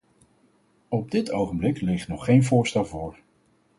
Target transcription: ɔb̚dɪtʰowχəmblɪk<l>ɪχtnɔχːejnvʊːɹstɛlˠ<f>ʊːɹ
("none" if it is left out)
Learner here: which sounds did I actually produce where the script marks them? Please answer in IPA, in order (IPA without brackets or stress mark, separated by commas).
l, v